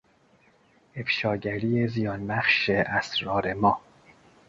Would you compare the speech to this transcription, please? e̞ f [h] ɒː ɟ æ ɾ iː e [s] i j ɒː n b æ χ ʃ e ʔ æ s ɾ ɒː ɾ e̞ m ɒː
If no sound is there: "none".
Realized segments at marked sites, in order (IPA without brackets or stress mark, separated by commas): ʃ, z